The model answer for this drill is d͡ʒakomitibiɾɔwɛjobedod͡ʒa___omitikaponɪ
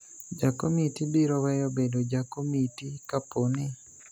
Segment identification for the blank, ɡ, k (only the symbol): k